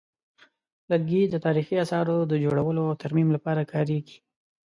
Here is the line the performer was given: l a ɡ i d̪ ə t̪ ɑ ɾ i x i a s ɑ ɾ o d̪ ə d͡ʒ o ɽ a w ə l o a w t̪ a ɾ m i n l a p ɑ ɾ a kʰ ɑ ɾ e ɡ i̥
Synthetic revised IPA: l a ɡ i d̪ ə t̪ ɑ ɾ i x i a s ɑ ɾ o d̪ ə d͡ʒ o ɽ a w ə l o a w t̪ a ɾ m i m l a p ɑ ɾ a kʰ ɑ ɾ e ɡ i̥